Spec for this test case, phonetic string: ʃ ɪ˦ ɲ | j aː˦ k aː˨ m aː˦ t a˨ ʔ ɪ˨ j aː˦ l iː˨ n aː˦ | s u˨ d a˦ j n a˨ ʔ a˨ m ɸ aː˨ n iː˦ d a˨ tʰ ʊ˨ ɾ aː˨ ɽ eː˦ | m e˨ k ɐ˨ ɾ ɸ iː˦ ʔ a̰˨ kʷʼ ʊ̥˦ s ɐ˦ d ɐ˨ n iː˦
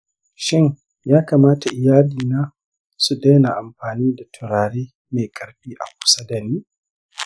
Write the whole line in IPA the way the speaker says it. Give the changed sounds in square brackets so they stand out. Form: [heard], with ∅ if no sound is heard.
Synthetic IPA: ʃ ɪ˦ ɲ | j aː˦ k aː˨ m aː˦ t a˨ ʔ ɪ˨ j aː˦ l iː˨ n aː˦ | s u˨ d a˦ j n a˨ ʔ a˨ m ɸ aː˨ n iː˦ d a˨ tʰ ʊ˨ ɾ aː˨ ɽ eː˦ | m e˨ [kʼ] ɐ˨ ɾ ɸ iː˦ ʔ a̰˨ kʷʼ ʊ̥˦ s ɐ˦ d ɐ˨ n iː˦

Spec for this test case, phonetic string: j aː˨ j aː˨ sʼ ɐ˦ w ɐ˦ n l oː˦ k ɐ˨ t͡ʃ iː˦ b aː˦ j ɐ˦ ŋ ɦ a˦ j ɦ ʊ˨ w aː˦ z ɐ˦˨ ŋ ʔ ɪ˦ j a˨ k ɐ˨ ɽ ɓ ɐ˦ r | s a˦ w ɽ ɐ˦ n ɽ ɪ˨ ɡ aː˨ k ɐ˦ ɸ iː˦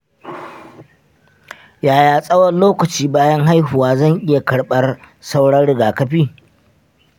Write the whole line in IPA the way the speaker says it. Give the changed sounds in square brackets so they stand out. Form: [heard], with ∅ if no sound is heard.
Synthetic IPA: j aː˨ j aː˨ sʼ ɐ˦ w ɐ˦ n l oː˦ k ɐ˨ t͡ʃ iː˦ b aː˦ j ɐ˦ ŋ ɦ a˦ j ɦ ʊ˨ w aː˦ z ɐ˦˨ ŋ ʔ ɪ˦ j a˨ k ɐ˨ ɽ ɓ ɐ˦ r | s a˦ w ɽ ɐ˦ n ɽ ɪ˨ ɡ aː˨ k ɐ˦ ɸ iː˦

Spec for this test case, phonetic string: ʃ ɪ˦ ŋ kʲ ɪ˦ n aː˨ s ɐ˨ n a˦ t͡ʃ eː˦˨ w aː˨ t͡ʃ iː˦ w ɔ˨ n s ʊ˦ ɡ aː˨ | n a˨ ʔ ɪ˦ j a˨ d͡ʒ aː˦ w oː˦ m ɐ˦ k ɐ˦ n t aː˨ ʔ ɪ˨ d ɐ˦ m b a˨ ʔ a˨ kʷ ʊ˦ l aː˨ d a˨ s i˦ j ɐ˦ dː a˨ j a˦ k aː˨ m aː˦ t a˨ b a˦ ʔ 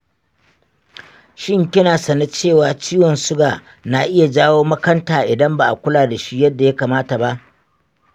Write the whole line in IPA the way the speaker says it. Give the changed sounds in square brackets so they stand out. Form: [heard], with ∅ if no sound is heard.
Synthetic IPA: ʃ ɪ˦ ŋ kʲ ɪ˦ n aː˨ s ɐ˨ n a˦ t͡ʃ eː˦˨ w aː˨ t͡ʃ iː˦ w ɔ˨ n s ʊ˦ ɡ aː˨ | n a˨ ʔ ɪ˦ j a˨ d͡ʒ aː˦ w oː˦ m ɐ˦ k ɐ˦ n t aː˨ ʔ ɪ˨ d ɐ˦ m b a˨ ʔ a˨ kʷ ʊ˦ l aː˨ d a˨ [ʃ] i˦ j ɐ˦ dː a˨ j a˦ k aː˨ m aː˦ t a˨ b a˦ ʔ

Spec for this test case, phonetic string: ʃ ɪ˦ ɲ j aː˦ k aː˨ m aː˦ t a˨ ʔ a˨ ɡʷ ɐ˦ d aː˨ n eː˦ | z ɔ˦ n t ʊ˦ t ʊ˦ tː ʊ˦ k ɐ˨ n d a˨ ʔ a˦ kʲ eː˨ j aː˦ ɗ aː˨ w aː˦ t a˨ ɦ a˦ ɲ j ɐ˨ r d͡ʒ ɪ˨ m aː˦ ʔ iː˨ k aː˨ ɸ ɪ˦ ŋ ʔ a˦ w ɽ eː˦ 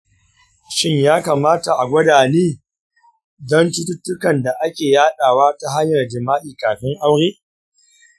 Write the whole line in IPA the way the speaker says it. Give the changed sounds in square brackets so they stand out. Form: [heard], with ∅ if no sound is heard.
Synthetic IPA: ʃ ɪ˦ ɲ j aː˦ k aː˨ m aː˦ t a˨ ʔ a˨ ɡʷ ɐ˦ d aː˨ n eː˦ | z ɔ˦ n t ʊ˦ t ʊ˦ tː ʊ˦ k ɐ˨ n d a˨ ʔ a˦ kʲ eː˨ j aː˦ ɗ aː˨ w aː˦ t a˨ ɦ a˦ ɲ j ɐ˨ r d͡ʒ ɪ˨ m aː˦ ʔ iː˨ k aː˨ ɸ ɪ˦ ŋ ʔ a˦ w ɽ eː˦

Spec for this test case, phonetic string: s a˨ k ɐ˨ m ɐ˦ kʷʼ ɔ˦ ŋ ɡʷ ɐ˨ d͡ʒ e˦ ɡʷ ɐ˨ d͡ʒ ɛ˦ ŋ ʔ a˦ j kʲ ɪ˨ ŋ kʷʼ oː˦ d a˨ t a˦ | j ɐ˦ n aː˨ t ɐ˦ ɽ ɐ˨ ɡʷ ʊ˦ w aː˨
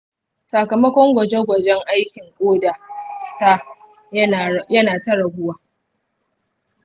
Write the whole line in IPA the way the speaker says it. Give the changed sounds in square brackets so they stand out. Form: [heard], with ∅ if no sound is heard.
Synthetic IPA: s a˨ k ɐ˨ m ɐ˦ [kʷ] ɔ˦ ŋ ɡʷ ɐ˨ d͡ʒ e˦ ɡʷ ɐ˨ d͡ʒ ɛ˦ ŋ ʔ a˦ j kʲ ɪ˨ ŋ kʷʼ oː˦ d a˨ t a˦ | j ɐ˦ n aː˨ t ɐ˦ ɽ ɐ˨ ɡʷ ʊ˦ w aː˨

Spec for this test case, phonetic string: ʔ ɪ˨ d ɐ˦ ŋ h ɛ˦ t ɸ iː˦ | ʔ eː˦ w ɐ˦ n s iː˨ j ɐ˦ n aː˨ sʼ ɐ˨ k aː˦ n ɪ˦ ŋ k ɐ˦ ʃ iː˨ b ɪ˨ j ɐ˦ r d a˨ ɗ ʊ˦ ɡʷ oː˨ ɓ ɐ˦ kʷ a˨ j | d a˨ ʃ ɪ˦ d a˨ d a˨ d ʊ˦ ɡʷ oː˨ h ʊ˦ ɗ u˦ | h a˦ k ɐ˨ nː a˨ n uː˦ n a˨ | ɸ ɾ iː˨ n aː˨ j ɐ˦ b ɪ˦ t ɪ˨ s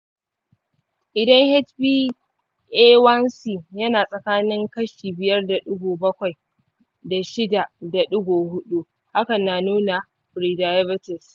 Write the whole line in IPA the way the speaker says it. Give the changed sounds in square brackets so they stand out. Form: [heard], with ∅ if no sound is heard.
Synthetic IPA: ʔ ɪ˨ d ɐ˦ ŋ h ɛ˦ t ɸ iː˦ | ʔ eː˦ w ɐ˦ n s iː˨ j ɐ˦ n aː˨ sʼ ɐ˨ k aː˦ n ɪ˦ ŋ k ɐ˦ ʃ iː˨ b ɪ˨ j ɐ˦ r d a˨ ɗ ʊ˦ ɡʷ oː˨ [b] ɐ˦ kʷ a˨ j | d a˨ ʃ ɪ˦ d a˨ d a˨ [ɗ] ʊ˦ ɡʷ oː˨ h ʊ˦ ɗ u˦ | h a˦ k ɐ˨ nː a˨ n uː˦ n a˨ | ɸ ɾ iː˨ [d] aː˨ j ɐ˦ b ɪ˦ t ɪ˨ s

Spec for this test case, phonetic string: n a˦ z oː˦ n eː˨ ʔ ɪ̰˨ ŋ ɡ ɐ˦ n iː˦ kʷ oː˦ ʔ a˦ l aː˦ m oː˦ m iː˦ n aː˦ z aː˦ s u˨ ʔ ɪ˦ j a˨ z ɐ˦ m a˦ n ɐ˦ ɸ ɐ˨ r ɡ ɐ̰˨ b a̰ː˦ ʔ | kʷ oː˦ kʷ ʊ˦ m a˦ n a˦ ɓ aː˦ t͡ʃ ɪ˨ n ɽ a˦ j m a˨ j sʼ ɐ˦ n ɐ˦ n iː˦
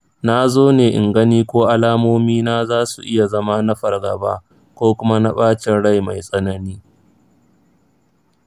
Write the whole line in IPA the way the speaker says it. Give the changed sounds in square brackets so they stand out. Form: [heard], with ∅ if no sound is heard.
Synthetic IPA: n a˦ z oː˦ n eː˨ ʔ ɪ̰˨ ŋ ɡ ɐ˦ n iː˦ kʷ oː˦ ʔ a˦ l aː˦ m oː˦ m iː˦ n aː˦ z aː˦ s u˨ ʔ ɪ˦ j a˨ z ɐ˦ m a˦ n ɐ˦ ɸ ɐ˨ r ɡ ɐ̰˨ b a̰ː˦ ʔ | kʷ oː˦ kʷ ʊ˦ m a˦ n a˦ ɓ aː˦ t͡ʃ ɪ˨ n ɽ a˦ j m a˨ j sʼ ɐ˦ n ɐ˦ n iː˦

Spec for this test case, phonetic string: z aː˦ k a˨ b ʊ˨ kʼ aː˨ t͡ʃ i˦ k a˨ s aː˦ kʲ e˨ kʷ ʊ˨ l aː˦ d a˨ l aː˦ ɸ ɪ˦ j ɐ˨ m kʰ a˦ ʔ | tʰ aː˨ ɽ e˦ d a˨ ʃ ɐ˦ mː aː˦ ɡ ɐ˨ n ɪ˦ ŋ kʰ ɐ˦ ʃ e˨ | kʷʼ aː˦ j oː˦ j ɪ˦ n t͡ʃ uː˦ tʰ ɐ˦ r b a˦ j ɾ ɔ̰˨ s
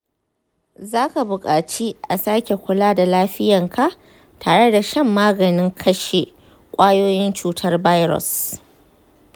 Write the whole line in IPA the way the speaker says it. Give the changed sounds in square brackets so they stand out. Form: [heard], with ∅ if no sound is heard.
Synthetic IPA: z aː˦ k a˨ b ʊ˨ kʼ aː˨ t͡ʃ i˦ [ʔ] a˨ s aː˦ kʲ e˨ kʷ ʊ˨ l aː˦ d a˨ l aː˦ ɸ ɪ˦ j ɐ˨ [ŋ] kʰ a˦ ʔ | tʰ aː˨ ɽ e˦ d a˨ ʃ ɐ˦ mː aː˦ ɡ ɐ˨ n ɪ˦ ŋ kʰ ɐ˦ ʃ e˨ | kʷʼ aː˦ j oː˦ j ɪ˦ n t͡ʃ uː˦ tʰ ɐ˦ r b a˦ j ɾ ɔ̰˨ s

